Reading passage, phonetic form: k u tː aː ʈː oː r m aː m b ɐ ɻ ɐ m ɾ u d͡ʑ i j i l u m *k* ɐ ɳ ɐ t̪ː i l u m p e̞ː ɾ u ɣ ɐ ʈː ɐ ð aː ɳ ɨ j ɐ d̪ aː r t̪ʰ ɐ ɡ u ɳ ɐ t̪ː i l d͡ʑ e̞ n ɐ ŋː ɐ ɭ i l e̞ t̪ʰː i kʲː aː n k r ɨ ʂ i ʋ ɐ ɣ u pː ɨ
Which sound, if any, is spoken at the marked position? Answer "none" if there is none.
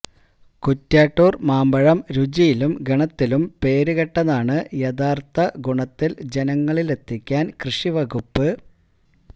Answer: ɡ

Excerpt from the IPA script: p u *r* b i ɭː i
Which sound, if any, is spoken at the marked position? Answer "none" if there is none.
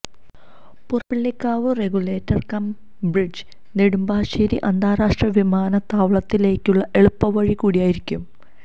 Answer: r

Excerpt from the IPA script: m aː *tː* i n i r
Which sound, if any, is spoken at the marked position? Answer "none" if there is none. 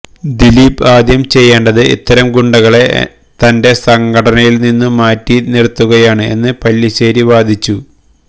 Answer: tː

